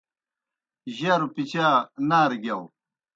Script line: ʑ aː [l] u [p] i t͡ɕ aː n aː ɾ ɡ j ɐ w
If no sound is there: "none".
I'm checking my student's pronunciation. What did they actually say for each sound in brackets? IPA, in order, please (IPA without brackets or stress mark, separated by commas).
ɾ, p